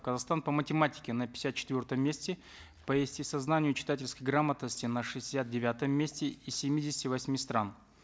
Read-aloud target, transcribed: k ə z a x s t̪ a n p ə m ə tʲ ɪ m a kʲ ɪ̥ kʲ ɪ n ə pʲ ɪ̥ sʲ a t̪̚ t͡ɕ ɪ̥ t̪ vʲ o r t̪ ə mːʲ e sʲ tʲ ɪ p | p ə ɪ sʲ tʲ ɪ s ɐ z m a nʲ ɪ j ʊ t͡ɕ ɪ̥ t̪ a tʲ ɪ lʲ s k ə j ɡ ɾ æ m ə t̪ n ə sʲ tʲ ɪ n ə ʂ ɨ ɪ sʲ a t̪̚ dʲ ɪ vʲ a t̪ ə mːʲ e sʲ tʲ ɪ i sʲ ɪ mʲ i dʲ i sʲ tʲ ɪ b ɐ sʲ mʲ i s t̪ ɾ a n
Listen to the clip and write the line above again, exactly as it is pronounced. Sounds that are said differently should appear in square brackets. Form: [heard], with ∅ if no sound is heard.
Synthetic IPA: k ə z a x s t̪ a n p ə m ə tʲ ɪ m a [tʲ] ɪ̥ kʲ ɪ n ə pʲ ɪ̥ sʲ a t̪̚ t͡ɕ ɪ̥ t̪ vʲ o r t̪ ə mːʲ e sʲ tʲ ɪ [∅] | p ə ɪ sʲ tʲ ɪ s ɐ z [n] a nʲ ɪ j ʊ t͡ɕ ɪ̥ t̪ a tʲ ɪ lʲ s k ə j ɡ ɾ [a] m ə t̪ n ə sʲ tʲ ɪ n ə ʂ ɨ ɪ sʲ a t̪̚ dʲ ɪ vʲ a t̪ ə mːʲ e sʲ tʲ ɪ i sʲ ɪ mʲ i dʲ [ɪ] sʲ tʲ ɪ [v] ɐ sʲ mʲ i s t̪ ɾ a n